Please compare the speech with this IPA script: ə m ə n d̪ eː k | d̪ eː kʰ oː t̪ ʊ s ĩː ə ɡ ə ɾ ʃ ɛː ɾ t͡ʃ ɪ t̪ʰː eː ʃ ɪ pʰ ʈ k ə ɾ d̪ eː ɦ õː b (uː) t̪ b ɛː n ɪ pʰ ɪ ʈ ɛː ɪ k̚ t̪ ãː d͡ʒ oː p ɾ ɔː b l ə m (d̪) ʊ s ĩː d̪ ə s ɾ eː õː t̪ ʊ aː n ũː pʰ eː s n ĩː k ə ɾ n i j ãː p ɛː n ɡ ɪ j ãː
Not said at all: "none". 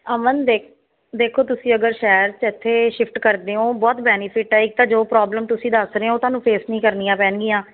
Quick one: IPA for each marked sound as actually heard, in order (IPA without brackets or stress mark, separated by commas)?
ɔː, t̪